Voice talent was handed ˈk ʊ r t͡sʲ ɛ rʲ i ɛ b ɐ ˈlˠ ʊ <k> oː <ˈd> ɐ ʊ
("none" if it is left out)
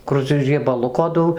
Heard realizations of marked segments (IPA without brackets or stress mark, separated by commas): k, d